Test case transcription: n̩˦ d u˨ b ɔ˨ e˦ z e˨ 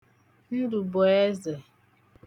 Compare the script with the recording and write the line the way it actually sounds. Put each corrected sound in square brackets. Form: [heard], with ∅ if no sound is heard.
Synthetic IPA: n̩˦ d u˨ b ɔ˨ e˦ z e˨